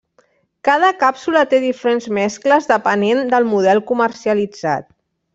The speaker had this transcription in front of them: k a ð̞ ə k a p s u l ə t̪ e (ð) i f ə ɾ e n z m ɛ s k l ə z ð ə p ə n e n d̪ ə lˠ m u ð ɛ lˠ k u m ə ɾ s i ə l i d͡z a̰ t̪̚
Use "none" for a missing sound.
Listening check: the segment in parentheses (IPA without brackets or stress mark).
ð